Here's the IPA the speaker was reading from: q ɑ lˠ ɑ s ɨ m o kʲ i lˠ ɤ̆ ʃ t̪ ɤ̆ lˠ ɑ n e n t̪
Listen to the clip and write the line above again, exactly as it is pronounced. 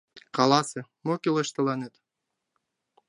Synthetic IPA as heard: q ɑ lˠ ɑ s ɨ m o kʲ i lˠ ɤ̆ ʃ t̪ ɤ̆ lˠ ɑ n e t̪